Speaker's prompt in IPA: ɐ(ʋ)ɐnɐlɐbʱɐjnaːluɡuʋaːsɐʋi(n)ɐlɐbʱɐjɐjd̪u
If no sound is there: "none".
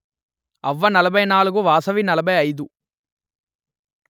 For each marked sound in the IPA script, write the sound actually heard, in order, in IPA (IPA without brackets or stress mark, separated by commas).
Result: ʋː, n